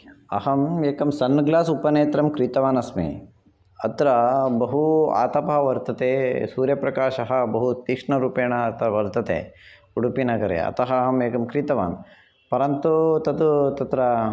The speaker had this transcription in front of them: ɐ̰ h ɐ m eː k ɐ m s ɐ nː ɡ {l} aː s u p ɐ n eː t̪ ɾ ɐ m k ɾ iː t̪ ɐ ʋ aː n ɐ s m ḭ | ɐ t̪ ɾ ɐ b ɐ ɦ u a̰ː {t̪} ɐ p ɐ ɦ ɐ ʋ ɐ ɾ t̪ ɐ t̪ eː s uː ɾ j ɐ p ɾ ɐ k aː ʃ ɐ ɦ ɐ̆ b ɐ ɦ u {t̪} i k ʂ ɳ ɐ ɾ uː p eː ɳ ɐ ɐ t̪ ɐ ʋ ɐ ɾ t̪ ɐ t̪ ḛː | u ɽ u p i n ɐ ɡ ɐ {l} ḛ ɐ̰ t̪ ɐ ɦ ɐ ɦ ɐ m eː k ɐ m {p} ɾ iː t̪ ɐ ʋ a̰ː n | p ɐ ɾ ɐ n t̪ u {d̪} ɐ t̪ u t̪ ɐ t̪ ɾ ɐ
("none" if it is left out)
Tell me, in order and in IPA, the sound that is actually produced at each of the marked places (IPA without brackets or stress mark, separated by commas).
l, t̪, t̪, ɾ, k, t̪